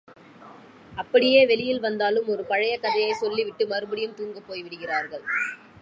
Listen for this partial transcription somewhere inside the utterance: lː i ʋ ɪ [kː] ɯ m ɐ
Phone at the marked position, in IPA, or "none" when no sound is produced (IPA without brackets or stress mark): ʈː